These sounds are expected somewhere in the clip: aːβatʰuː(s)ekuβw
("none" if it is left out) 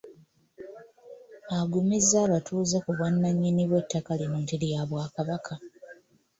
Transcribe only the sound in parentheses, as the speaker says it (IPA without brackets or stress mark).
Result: z